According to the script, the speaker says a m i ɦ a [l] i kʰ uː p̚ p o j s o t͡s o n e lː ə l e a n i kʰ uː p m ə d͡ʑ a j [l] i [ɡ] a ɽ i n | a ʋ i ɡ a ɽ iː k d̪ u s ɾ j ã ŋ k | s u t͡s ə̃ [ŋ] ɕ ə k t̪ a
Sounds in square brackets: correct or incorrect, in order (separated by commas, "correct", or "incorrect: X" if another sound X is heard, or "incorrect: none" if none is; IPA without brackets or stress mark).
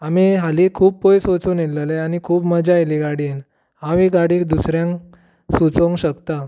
correct, correct, correct, correct